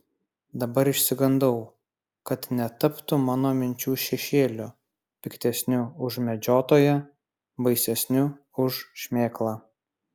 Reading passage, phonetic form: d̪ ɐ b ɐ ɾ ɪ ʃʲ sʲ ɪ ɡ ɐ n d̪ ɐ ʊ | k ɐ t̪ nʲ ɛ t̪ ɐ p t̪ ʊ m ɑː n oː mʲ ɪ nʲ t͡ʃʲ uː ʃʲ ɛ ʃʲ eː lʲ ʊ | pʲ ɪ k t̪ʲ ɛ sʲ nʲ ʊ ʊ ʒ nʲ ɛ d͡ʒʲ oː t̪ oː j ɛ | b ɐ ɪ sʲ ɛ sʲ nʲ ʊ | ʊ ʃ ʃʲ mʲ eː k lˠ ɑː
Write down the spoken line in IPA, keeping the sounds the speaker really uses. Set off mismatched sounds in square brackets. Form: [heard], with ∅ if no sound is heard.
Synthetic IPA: d̪ ɐ b ɐ ɾ ɪ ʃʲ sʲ ɪ ɡ ɐ n d̪ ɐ ʊ | k ɐ t̪ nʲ ɛ t̪ ɐ p t̪ ʊ m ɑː n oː mʲ ɪ nʲ t͡ʃʲ uː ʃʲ ɛ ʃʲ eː lʲ ʊ | pʲ ɪ k t̪ʲ ɛ sʲ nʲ ʊ ʊ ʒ [mʲ] ɛ d͡ʒʲ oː t̪ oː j ɛ | b ɐ ɪ sʲ ɛ sʲ nʲ ʊ | ʊ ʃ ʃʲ mʲ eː k lˠ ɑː